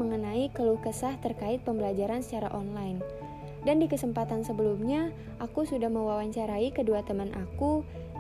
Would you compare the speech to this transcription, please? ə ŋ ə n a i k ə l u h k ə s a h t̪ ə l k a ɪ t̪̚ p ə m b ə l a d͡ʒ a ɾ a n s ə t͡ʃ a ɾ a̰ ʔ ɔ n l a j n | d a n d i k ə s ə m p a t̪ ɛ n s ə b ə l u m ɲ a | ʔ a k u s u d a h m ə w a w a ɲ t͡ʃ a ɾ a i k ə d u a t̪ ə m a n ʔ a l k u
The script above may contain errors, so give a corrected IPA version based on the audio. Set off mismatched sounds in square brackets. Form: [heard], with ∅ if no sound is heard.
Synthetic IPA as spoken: ə ŋ ə n a i k ə l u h k ə s a h t̪ ə [r] k a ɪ t̪̚ p ə m b ə l a d͡ʒ a ɾ a n s ə t͡ʃ a ɾ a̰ ʔ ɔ n l a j n | d a n d i k ə s ə m p a t̪ [a] n s ə b ə l u m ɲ a | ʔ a k u s u d a h m ə w a w a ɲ t͡ʃ a ɾ a i k ə d u a t̪ ə m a n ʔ a [∅] k u